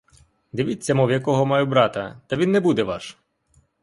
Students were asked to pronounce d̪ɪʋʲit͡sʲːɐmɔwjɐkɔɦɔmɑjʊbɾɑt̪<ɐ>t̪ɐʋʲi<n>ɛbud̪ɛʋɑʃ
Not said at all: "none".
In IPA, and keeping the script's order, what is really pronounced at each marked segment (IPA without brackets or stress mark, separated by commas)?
ɐ, nː